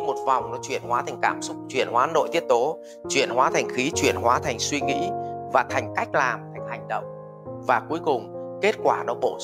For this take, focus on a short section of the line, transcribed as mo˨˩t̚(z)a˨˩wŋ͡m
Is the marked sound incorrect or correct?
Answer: incorrect: v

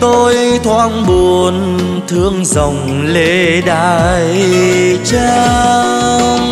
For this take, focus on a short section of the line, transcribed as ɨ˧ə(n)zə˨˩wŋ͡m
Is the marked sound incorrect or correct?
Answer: incorrect: ŋ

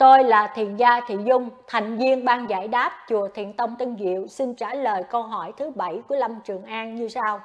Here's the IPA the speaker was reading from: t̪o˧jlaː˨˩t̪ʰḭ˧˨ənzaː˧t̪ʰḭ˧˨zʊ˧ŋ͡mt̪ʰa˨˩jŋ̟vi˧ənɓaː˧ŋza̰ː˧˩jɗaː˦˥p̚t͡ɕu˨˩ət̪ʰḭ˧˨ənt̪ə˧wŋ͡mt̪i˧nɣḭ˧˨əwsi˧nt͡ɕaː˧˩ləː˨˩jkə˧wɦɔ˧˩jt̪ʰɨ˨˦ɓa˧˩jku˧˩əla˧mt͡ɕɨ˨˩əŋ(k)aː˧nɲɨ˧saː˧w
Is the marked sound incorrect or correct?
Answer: incorrect: ʔ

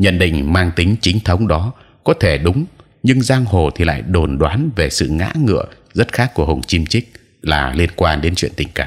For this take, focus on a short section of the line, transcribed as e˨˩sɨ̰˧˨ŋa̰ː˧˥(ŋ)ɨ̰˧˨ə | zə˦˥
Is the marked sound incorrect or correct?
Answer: correct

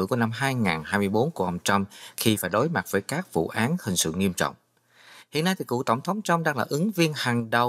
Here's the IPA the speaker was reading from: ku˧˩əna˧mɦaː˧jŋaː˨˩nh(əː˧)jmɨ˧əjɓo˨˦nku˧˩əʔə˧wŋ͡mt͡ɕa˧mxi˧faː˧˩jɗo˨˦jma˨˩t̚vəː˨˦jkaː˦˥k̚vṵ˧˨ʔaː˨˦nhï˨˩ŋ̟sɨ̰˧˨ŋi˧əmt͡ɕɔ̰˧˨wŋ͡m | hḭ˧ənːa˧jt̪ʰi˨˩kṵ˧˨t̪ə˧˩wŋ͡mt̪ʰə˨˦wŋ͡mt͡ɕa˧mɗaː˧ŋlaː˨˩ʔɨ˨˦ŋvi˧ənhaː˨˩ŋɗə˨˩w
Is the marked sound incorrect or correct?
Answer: incorrect: aː˧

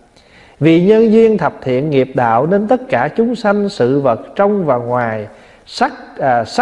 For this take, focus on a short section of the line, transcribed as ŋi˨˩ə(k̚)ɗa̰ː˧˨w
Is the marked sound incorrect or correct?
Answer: incorrect: p̚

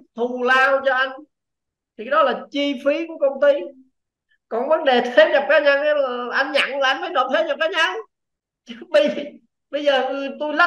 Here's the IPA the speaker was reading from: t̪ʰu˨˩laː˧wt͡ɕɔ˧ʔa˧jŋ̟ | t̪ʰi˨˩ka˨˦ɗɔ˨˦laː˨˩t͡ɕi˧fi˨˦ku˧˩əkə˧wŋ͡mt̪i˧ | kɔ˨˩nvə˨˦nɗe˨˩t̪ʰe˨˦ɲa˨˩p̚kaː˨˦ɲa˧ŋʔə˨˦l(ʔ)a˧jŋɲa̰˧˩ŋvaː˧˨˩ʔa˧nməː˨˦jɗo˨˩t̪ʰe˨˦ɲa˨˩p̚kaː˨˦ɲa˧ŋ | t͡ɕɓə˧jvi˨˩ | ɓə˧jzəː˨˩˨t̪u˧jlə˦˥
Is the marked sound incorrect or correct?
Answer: correct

